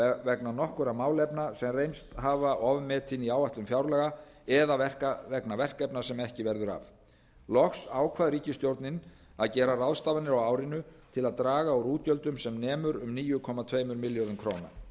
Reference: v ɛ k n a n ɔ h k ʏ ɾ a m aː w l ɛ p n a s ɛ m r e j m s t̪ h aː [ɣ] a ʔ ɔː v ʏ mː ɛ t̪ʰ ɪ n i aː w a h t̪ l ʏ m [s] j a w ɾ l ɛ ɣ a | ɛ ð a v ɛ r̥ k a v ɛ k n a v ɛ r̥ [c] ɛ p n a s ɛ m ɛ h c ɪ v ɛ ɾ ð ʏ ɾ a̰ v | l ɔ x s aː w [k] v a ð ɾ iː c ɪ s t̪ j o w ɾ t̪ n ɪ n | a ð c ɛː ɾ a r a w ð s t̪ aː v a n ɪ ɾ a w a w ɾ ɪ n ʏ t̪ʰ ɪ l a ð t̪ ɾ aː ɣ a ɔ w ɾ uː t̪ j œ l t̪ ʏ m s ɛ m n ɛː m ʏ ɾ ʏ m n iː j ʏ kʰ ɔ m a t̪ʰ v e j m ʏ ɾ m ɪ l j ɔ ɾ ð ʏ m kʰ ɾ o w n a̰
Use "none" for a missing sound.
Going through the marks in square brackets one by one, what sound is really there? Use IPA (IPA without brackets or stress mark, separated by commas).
v, f, k, kʰ